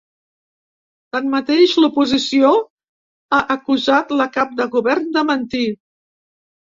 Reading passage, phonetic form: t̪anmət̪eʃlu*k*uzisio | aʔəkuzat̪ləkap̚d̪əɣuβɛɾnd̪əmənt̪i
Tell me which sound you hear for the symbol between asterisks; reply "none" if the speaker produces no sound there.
p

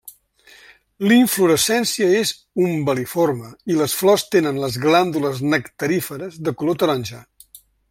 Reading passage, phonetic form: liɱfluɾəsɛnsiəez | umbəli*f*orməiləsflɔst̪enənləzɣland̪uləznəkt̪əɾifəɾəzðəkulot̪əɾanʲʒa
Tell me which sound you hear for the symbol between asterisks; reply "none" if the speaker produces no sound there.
f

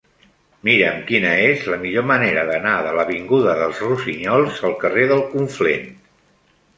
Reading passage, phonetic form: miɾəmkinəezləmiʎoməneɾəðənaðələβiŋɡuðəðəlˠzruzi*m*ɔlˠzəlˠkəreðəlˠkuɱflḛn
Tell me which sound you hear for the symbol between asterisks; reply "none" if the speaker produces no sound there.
ɲ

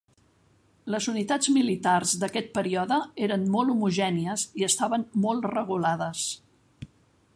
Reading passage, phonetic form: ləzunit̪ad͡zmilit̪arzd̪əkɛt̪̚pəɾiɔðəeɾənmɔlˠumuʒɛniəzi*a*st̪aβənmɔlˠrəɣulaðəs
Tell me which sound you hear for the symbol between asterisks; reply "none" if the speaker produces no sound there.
ə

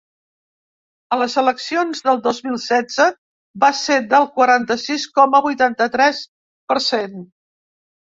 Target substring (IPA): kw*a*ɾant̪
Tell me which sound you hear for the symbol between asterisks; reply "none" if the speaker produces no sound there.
ə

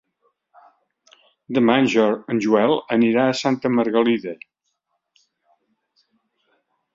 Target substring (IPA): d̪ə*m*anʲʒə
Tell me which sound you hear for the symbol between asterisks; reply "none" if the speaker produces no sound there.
m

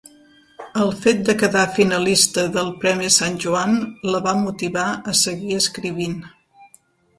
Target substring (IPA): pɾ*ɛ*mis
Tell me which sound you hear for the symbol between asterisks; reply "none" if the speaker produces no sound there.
ɛ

